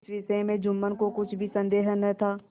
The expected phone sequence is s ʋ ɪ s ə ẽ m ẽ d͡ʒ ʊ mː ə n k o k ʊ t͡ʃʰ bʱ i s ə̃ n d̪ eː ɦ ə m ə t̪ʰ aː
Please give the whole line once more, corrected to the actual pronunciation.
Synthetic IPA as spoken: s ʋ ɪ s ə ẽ m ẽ d͡ʒ ʊ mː ə n k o k ʊ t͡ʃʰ bʱ i s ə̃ n d̪ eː ɦ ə n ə t̪ʰ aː